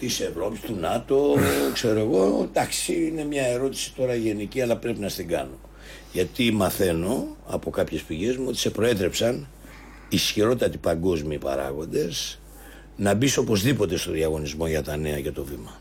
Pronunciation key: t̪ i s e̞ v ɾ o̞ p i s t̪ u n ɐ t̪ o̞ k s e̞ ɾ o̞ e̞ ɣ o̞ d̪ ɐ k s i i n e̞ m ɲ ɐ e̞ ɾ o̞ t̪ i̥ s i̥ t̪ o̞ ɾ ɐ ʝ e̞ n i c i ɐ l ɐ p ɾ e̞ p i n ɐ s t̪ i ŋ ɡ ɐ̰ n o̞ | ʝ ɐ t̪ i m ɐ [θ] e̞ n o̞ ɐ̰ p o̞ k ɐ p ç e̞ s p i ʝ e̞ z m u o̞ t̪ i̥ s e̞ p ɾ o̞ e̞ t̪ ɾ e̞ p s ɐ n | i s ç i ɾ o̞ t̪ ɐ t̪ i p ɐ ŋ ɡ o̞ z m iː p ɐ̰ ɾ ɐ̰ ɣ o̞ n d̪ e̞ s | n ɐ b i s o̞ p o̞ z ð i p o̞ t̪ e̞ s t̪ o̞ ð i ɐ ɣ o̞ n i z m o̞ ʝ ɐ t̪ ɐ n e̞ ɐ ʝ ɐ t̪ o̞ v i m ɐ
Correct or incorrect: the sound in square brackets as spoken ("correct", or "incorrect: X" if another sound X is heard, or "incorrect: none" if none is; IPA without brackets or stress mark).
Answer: correct